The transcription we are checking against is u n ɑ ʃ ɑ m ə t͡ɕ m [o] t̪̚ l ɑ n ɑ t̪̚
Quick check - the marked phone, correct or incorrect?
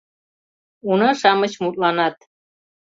incorrect